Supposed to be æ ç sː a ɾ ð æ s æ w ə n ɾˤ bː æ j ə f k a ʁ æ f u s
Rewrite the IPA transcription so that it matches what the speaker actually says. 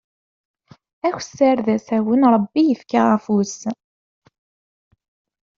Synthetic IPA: æ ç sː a ɾ ð æ s æ w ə n ɾˤ bː i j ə f k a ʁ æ f u s